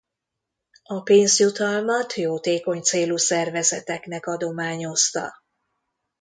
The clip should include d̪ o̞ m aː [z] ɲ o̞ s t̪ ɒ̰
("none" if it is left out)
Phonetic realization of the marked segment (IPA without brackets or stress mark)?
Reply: none